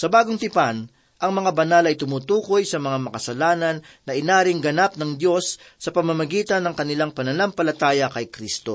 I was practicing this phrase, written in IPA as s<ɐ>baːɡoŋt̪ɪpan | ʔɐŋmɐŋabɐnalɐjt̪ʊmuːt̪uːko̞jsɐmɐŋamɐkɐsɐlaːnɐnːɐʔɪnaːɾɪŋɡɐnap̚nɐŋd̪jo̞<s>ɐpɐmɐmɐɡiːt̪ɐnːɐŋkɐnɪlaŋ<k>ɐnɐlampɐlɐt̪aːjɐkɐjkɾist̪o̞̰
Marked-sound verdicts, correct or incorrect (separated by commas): correct, incorrect, incorrect